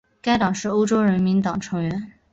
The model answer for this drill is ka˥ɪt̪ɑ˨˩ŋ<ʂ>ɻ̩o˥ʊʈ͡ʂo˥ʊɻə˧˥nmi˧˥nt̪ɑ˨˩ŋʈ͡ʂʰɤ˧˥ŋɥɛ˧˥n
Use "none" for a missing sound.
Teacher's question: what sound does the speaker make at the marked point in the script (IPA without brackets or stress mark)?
ʂ